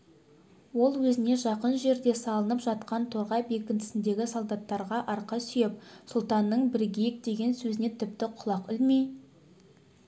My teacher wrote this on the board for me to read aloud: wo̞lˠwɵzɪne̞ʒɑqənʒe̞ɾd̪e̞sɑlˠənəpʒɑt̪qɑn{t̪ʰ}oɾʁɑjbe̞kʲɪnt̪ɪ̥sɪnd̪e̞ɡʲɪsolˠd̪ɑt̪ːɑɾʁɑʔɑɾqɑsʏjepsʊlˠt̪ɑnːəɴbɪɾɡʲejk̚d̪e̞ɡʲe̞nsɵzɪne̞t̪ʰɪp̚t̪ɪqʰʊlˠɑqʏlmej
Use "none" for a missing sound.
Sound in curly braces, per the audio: t̪ʰ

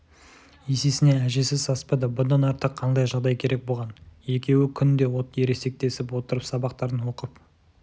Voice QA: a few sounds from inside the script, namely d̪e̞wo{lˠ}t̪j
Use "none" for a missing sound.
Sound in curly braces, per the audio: none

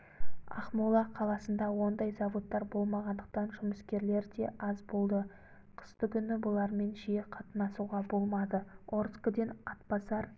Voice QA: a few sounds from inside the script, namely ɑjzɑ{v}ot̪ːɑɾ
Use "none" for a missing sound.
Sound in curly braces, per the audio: v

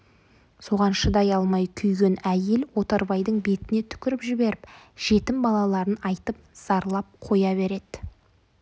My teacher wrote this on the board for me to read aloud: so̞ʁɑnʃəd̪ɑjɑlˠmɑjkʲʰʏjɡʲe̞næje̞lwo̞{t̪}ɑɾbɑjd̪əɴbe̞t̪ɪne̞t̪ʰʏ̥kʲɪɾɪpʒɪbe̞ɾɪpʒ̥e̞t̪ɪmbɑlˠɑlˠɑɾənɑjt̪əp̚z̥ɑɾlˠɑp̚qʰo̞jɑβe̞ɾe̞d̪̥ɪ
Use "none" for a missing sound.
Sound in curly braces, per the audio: t̪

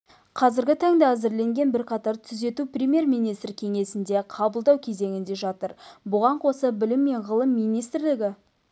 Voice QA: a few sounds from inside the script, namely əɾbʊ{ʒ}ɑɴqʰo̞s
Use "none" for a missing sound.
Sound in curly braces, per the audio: ʁ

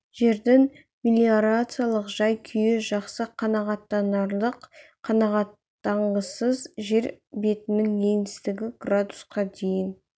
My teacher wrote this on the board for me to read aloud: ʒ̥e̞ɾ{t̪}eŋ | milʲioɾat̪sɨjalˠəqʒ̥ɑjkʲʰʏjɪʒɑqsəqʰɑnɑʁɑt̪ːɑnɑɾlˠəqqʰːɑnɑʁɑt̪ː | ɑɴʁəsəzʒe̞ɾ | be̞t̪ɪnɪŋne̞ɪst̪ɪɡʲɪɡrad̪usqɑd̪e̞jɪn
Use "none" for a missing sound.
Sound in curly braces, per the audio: d̪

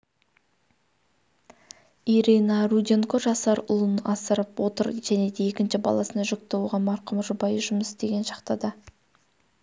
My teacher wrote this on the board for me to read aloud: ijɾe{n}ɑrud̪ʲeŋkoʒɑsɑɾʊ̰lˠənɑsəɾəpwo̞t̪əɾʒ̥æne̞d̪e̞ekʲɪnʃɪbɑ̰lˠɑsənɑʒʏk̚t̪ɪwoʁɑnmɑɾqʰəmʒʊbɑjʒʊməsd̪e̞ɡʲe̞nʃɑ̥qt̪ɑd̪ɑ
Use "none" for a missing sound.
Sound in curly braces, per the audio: n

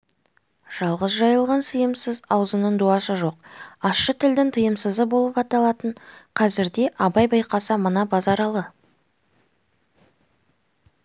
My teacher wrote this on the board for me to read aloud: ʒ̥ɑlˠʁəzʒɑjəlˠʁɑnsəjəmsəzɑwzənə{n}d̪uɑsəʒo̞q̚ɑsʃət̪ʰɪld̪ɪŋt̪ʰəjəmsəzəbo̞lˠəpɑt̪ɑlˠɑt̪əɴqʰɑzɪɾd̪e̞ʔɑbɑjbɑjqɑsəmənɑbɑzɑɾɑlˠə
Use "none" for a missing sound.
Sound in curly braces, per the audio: ɴ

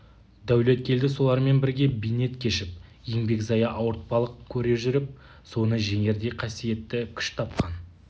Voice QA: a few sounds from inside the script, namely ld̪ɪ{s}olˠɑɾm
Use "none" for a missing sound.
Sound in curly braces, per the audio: s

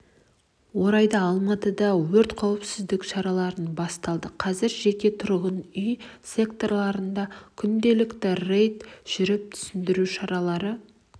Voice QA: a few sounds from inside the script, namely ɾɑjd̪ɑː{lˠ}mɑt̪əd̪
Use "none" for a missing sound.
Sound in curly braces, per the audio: lˠ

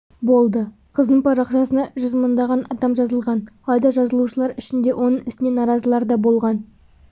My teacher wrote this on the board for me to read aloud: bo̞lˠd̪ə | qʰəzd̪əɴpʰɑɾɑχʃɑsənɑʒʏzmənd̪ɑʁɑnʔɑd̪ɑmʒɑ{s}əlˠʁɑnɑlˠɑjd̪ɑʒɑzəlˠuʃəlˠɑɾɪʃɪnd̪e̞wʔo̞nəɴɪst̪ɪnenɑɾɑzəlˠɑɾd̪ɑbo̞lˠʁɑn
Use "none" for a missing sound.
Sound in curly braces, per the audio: z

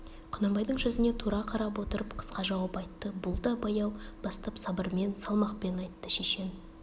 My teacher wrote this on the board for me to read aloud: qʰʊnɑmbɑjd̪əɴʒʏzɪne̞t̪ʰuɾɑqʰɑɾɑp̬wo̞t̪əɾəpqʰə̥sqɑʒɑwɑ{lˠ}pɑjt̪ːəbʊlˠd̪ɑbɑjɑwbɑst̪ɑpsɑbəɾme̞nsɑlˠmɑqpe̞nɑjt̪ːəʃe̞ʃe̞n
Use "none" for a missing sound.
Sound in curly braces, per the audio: none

